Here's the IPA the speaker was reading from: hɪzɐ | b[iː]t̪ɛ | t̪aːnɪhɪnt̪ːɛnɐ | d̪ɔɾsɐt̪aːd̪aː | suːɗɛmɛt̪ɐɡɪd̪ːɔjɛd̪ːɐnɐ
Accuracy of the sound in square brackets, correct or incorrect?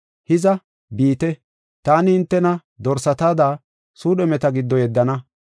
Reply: correct